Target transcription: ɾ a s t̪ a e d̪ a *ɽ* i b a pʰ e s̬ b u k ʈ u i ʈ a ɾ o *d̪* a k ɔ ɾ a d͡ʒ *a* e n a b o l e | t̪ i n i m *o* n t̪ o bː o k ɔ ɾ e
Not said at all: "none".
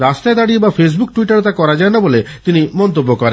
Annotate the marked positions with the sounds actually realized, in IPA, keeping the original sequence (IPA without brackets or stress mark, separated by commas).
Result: ɽ, t̪, a, ɔ